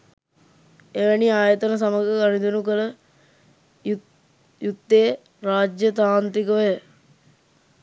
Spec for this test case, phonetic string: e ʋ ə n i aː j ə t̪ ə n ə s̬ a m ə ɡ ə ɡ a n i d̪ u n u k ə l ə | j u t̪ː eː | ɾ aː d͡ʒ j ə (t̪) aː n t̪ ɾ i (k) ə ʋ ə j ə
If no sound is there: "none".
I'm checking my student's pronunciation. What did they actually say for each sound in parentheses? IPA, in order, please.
t̪, k

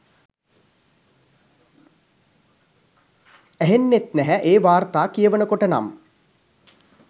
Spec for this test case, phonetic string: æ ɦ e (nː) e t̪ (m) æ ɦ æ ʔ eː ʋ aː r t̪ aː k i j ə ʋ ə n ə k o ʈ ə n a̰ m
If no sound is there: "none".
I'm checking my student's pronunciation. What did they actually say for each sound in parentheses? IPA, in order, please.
nː, n

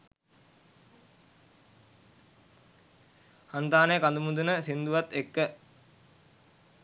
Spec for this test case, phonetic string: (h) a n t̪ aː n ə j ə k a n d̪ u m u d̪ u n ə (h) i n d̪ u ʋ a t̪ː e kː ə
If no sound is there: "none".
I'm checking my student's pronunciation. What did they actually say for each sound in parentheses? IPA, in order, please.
h, s

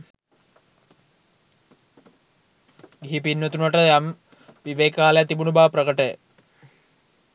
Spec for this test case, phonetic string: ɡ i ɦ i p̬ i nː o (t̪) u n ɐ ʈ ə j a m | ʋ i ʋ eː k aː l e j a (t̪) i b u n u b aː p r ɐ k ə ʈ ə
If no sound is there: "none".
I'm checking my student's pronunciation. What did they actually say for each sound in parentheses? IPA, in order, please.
t̪, t̪

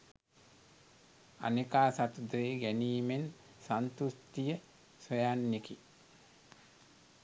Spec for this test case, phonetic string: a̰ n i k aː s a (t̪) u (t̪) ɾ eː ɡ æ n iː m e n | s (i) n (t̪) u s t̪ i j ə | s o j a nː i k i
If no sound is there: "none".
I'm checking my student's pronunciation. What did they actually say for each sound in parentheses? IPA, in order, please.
t̪, d̪, a, t̪

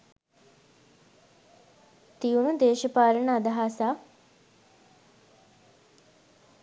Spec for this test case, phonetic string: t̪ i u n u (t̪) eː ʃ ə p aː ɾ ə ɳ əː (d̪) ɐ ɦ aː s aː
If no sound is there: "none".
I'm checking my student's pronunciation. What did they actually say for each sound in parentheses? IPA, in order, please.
d̪, d̪

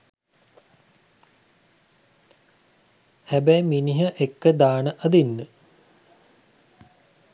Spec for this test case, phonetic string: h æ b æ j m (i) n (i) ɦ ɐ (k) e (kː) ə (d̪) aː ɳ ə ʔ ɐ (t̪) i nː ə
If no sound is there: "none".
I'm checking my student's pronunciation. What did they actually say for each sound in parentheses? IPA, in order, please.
i, i, ʔ, kː, d̪, d̪

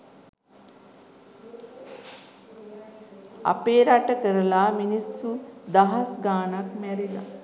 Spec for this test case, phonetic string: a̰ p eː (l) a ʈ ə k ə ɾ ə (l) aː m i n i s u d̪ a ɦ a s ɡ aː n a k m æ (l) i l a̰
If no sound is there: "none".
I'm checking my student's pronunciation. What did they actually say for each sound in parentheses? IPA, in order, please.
ɾ, l, ɾ

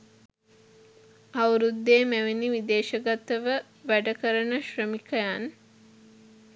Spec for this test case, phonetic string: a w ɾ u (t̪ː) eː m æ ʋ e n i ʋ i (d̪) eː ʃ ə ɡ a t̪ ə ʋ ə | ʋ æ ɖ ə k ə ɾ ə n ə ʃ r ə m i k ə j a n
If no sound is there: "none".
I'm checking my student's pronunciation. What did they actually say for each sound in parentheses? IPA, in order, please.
d̪ː, d̪

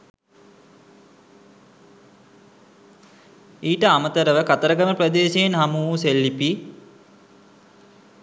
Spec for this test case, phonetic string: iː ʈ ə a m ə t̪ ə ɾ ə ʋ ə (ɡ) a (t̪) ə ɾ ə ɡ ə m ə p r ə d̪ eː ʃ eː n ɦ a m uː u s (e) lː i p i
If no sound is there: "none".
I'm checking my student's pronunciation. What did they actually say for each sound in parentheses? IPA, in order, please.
k, t̪, e

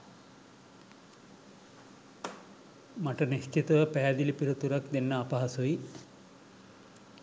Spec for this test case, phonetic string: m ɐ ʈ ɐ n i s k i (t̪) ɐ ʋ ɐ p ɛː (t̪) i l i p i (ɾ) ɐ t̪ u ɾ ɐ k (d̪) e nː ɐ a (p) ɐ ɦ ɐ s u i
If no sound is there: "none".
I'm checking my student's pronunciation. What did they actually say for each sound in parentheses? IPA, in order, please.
t̪, d̪, ɾ, d̪, p

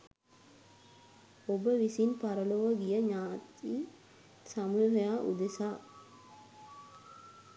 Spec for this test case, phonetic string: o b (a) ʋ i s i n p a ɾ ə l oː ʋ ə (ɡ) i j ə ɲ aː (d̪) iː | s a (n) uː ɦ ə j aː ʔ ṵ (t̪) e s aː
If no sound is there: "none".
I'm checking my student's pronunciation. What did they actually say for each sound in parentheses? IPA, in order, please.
ə, ɡ, t̪, m, d̪

